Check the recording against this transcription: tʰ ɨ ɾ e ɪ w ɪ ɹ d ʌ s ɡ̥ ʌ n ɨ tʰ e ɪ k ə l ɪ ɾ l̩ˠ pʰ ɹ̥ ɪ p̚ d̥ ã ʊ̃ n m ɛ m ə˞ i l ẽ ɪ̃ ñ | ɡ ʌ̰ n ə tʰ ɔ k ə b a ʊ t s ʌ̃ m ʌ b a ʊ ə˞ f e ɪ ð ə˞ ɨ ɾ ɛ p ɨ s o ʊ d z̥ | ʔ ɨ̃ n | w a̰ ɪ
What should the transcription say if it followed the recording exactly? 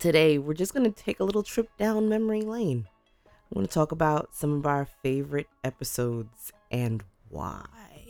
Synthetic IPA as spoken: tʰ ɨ ɾ e ɪ w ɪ ɹ d͡ʒ ʌ s ɡ̥ ʌ n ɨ tʰ e ɪ k ə l ɪ ɾ l̩ˠ tʰ ɹ̥ ɪ p̚ d̥ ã ʊ̃ n m ɛ m ə˞ i l ẽ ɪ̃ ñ | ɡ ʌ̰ n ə tʰ ɔ k ə b a ʊ t s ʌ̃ m ʌ v a ʊ ə˞ f e ɪ v ə˞ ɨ ɾ ɛ p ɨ s o ʊ d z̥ | ʔ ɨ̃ n | w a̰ ɪ